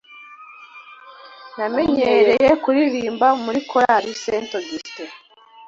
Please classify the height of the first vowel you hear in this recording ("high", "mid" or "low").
low